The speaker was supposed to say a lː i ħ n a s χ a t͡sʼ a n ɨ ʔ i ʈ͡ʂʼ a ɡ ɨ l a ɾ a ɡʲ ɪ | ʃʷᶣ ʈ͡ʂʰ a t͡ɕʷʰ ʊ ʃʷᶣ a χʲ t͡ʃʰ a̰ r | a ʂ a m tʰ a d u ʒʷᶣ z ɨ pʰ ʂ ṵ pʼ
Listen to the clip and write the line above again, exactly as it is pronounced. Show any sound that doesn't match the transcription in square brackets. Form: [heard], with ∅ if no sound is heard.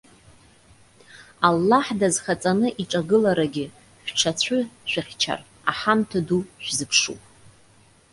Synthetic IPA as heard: a lː [a] ħ [d] a [z] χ a t͡sʼ a n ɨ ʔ i ʈ͡ʂʼ a ɡ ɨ l a ɾ a ɡʲ ɪ | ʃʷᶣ ʈ͡ʂʰ a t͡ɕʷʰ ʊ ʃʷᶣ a χʲ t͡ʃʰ a̰ r | a [ħ] a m tʰ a d u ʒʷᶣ z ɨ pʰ ʂ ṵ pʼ